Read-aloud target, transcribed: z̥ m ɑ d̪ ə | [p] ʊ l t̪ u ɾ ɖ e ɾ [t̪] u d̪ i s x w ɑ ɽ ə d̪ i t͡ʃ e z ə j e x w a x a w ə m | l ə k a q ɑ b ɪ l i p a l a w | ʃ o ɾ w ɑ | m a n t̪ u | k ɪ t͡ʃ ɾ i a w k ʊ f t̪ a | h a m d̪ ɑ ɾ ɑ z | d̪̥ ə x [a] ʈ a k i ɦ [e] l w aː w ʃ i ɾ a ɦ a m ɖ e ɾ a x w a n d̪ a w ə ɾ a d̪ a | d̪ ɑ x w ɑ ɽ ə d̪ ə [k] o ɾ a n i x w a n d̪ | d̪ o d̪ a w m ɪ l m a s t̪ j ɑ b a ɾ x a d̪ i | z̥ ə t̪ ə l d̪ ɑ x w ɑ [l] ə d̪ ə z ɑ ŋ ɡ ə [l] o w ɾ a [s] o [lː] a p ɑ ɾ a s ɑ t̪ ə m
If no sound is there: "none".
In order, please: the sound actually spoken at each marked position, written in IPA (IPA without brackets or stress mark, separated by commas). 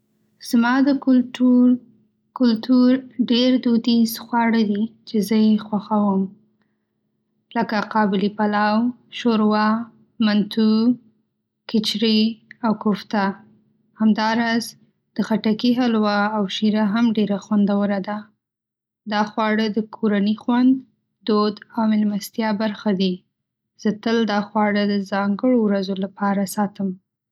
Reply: k, d̪, a, a, kʰ, ɽ, ɽ, z, l